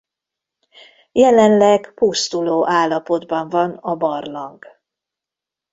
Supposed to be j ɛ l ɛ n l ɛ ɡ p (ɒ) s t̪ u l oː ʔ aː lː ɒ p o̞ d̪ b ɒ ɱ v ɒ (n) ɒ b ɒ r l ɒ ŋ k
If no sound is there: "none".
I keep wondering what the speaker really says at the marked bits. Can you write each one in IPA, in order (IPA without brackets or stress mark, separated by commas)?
u, n